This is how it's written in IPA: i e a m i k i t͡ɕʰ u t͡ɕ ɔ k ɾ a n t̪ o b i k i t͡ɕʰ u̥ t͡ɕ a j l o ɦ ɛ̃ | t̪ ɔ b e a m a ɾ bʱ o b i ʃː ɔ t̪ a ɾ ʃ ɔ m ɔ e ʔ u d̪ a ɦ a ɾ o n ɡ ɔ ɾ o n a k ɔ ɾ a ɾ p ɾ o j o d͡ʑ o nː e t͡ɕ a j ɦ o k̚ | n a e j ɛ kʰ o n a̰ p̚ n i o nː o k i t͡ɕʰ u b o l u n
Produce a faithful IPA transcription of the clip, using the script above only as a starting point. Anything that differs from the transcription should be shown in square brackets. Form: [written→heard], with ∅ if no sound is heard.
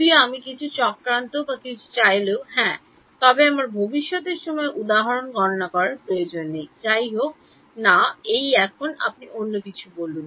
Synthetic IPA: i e a m i k i t͡ɕʰ u t͡ɕ ɔ k ɾ a n t̪ o b [i→a] k i t͡ɕʰ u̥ t͡ɕ a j l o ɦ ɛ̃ | t̪ ɔ b e a m a ɾ bʱ o b i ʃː ɔ t̪ [a→e] ɾ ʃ ɔ m ɔ e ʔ u d̪ a ɦ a ɾ o n ɡ ɔ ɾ o n a k ɔ ɾ a ɾ p ɾ o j o d͡ʑ o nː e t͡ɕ a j ɦ o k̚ | n a e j ɛ kʰ o n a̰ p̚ n i o nː o k i t͡ɕʰ u b o l u n